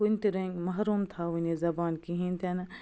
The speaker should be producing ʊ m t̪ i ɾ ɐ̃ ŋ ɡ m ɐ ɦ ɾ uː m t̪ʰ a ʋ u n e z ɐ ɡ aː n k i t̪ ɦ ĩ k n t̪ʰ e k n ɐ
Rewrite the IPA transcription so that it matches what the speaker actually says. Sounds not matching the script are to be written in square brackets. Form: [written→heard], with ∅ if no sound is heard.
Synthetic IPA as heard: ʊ [m→n] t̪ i ɾ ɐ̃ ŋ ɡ m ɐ ɦ ɾ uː m t̪ʰ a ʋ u n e z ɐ [ɡ→b] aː n k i [t̪→∅] ɦ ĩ [k→∅] n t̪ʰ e [k→∅] n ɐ